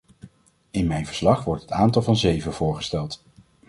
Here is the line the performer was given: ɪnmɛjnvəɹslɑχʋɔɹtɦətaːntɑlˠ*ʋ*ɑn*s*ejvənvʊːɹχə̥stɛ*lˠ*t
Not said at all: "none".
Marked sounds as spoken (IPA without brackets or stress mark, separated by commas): v, z, lˠ